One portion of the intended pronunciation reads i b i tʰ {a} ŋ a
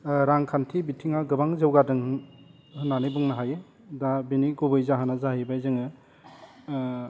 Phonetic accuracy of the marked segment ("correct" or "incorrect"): incorrect